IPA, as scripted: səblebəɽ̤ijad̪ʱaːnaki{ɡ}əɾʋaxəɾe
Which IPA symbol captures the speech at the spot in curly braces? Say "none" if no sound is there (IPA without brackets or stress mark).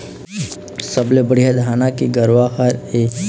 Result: ɡ